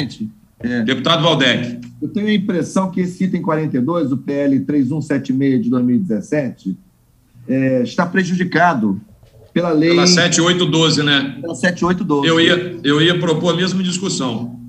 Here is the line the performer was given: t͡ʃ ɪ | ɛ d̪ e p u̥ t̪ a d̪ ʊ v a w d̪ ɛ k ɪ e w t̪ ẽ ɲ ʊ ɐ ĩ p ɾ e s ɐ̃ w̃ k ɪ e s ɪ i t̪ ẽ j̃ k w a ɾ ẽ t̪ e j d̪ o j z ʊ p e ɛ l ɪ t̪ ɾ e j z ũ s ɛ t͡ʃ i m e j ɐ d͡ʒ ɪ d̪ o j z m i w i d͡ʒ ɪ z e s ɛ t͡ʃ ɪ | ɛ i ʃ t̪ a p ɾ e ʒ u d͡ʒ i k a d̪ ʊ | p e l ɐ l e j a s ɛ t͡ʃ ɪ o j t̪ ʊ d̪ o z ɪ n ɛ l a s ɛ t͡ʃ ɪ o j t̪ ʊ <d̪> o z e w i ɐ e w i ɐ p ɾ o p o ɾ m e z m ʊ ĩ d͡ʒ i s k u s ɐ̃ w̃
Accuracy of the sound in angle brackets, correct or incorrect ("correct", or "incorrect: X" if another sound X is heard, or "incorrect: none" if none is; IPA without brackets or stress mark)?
correct